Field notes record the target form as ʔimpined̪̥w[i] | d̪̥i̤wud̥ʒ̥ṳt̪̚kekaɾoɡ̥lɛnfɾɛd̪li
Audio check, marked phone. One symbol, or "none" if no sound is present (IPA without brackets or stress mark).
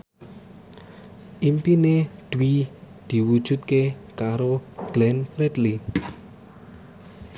i